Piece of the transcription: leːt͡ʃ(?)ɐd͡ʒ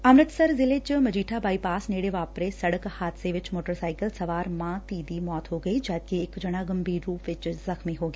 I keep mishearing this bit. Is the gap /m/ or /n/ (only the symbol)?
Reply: m